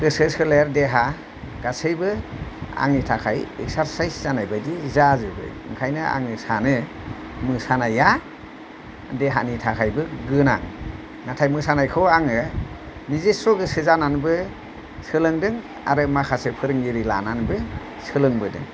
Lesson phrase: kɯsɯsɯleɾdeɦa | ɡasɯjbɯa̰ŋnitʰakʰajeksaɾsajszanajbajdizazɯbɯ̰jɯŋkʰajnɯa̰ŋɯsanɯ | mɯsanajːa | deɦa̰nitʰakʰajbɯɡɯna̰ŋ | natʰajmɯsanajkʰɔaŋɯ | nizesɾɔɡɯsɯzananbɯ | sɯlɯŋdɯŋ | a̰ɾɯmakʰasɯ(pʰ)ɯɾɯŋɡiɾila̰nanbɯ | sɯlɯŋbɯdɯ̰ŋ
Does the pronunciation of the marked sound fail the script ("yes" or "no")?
no